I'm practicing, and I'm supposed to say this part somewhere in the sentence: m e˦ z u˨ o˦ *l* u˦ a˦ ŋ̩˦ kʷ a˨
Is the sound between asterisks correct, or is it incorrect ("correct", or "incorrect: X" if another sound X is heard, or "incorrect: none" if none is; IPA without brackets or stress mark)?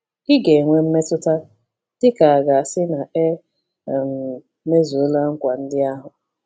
correct